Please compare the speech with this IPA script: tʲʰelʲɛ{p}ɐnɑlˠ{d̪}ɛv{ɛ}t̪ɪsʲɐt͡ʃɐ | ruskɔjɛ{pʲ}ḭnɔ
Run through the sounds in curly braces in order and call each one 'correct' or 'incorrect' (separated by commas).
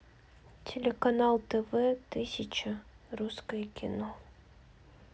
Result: incorrect, incorrect, correct, incorrect